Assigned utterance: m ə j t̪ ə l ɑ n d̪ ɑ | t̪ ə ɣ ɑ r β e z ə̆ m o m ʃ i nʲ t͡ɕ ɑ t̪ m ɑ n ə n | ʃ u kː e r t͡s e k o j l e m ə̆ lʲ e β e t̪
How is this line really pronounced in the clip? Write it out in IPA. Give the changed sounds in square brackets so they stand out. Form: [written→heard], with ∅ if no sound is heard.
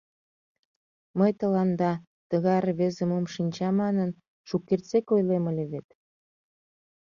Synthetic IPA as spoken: m ə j t̪ ə l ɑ n d̪ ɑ | t̪ ə ɣ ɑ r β e z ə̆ m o m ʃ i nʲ t͡ɕ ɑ [t̪→∅] m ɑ n ə n | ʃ u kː e r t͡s e k o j l e m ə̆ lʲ e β e t̪

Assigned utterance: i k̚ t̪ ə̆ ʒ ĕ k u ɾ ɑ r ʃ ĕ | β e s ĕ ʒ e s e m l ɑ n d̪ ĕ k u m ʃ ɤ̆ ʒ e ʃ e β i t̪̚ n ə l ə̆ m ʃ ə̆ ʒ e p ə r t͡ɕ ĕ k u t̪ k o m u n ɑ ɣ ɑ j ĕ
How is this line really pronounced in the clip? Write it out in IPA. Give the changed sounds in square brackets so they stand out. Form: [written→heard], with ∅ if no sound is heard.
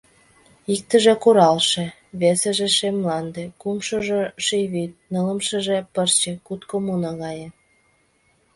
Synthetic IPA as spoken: i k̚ t̪ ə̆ ʒ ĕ k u ɾ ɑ [r→l] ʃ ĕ | β e s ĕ ʒ e [s→ʃ] e m l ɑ n d̪ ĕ k u m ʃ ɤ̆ ʒ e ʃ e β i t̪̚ n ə l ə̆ m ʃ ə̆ ʒ e p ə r t͡ɕ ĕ k u t̪ k o m u n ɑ ɣ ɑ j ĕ

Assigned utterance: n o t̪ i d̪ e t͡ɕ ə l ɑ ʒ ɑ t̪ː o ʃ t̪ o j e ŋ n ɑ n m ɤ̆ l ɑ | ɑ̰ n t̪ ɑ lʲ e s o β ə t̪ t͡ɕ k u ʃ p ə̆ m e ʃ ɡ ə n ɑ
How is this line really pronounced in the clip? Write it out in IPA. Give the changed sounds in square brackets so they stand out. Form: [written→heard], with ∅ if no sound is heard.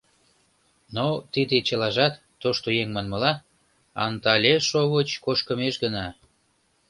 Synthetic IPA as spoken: n o t̪ i d̪ e t͡ɕ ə l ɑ ʒ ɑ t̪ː o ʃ t̪ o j e ŋ [n→m] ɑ n m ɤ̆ l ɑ | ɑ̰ n t̪ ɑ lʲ e [s→ʃ] o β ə [t̪→∅] t͡ɕ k [u→o] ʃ [p→k] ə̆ m e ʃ ɡ ə n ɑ

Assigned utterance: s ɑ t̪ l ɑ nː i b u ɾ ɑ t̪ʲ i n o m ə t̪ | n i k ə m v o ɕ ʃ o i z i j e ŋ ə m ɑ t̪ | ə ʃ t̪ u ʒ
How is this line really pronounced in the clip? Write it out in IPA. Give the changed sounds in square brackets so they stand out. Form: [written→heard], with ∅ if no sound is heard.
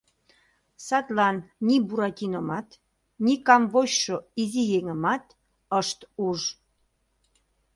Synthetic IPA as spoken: s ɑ t̪ l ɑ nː i b u ɾ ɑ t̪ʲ i n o m [ə→ɑ] t̪ | n i k [ə→ɑ] m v o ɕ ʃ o i z i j e ŋ ə m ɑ t̪ | ə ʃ t̪ u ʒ

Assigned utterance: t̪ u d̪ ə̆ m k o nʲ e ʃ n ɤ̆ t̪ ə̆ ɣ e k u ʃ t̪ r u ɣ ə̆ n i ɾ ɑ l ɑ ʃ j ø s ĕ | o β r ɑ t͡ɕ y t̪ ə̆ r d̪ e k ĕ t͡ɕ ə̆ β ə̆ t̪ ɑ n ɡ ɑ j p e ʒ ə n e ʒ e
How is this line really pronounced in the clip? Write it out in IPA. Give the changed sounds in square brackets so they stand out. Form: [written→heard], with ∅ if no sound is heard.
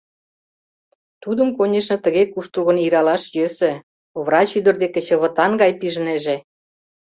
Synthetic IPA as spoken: t̪ u d̪ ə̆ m k o nʲ e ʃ n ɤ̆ t̪ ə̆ ɣ e k u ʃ t̪ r u ɣ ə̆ n i ɾ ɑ l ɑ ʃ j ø s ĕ | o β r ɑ t͡ɕ y [t̪→d̪] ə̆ r d̪ e k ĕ t͡ɕ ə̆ β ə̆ t̪ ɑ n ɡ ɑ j p [e→i] ʒ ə n e ʒ e

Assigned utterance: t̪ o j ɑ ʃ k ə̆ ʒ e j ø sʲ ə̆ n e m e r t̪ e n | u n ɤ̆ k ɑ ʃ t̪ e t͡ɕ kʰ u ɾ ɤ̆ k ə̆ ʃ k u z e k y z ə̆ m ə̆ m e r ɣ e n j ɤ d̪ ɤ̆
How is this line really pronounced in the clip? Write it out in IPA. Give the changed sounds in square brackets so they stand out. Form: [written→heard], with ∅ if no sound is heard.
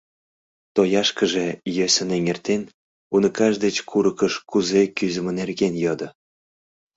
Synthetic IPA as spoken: t̪ o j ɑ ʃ k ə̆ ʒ e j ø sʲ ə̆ n e [m→ŋ] e r t̪ e n | u n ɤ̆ k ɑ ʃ [t̪→d̪] e t͡ɕ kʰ u ɾ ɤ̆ k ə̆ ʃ k u z e k y z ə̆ m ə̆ [m→n] e r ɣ e n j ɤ d̪ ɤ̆

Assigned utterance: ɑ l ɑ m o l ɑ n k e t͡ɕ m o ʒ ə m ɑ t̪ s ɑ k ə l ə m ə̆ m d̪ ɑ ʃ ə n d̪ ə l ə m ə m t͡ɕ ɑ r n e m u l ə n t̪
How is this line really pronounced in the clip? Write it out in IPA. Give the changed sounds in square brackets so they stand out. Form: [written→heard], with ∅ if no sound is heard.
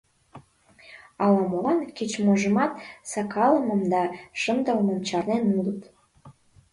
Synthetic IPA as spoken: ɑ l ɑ m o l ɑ n k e t͡ɕ m o ʒ ə m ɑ t̪ s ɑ k [ə→ɑ] l ə m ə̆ m d̪ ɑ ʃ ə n d̪ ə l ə m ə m t͡ɕ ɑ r n e [m→n] u l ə [n→∅] t̪

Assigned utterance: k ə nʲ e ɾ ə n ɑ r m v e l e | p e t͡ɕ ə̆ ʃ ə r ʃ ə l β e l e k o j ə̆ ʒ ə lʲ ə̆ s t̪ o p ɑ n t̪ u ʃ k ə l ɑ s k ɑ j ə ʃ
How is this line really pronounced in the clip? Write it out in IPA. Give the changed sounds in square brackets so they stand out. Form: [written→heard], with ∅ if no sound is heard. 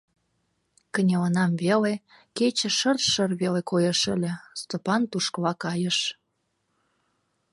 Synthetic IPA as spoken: k ə nʲ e [ɾ→l] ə n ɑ [r→∅] m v e l e | [p→k] e t͡ɕ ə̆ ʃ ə r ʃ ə [l→r] β e l e k o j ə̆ [ʒ→ʃ] ə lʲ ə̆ s t̪ o p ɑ n t̪ u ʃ k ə l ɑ [s→∅] k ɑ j ə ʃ

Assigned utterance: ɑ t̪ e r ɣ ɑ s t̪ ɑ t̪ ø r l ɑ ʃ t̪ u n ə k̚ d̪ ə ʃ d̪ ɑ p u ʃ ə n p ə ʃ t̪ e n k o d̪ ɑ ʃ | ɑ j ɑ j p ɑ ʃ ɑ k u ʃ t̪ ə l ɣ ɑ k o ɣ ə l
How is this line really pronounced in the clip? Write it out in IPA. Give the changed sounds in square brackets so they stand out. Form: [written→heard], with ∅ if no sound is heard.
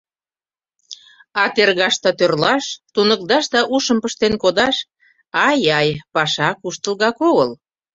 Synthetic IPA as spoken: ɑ t̪ e r ɣ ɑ [s→ʃ] t̪ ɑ t̪ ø r l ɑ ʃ t̪ u n ə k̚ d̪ [ə→ɑ] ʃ d̪ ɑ [p→ʔ] u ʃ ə [n→m] p ə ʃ t̪ e n k o d̪ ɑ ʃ | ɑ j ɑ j p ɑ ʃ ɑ k u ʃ t̪ ə l ɣ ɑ k o ɣ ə l

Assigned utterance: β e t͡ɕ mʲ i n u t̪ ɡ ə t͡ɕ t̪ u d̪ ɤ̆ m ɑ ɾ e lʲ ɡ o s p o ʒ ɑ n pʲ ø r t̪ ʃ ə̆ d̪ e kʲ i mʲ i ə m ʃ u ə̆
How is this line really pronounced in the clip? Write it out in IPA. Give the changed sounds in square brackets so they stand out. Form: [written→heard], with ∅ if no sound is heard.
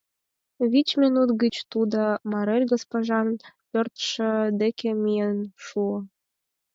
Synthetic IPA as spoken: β [e→i] t͡ɕ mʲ i n u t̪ ɡ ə t͡ɕ t̪ u d̪ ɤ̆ m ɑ ɾ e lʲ ɡ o s p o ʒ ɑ n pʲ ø r t̪ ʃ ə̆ d̪ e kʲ [i→e] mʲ i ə [m→n] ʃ u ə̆

